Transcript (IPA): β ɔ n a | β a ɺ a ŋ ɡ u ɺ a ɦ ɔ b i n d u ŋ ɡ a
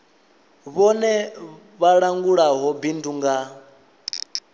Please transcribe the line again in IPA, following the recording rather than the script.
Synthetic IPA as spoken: β ɔ n ɛ | β a ɺ a ŋ ɡ u ɺ a ɦ ɔ b i n d u ŋ ɡ a